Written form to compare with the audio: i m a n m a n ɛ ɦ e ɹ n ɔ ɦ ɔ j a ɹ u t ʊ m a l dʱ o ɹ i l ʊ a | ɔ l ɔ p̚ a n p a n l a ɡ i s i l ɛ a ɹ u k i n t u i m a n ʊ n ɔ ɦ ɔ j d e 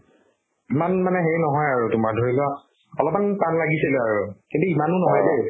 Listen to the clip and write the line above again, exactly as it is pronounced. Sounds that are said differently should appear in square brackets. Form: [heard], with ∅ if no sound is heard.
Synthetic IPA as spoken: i m a n m a n ɛ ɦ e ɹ n ɔ ɦ ɔ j a ɹ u t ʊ m a [ɹ] dʱ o ɹ i l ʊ a | ɔ l ɔ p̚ a n p a n l a ɡ i s i l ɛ a ɹ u k i n t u i m a n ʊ n ɔ ɦ ɔ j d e